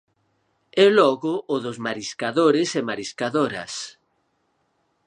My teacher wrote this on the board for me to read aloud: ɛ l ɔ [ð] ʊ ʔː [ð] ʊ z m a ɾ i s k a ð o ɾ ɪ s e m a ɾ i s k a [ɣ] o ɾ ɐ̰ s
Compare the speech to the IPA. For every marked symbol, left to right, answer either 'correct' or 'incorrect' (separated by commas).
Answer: incorrect, correct, incorrect